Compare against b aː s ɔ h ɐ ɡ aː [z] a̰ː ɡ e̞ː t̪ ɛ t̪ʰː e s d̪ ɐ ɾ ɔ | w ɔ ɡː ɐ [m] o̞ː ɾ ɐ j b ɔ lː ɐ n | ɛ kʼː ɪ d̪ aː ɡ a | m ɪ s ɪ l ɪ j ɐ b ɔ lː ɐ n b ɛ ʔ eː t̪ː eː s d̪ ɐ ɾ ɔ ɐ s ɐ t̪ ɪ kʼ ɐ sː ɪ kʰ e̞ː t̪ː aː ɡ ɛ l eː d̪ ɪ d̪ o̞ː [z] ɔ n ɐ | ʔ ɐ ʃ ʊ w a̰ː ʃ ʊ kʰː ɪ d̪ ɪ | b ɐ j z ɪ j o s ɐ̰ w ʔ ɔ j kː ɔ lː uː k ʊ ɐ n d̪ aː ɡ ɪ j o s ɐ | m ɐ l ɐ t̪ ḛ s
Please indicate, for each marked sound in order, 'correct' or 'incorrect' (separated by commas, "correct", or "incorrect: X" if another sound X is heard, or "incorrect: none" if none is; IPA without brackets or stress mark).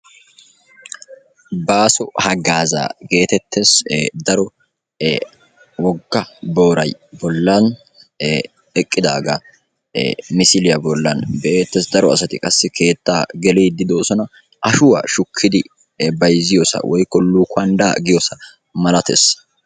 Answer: correct, incorrect: b, incorrect: s